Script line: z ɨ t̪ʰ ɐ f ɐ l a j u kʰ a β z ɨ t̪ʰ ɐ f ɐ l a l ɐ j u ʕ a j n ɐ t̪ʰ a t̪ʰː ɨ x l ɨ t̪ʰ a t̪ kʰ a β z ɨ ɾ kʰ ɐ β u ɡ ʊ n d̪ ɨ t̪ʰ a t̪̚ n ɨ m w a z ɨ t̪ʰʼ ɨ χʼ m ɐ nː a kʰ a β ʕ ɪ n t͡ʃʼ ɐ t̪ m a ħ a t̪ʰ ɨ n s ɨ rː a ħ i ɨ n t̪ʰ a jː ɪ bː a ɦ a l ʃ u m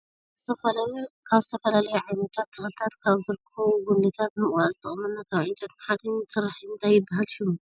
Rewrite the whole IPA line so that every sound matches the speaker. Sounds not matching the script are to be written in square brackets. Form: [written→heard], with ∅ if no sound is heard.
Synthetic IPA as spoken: z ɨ t̪ʰ ɐ f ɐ l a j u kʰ a β z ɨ t̪ʰ ɐ f ɐ l a l ɐ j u ʕ a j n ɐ t̪ʰ a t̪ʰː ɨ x l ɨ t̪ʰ a t̪ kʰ a β z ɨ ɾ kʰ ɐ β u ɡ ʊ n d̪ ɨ t̪ʰ a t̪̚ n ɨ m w a z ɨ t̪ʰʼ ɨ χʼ m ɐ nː a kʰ a β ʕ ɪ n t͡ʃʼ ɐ t̪ m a ħ a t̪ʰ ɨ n s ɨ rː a ħ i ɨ n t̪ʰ a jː ɪ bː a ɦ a l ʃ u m